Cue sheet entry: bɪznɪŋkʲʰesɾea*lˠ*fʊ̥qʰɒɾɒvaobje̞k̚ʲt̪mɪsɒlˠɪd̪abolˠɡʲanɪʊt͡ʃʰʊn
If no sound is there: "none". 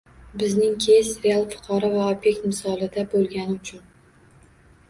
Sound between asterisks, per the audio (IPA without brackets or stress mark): lˠ